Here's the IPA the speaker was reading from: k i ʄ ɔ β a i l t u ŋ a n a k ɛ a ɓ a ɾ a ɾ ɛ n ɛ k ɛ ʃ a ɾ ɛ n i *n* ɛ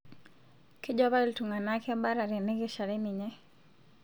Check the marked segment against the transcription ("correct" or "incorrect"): incorrect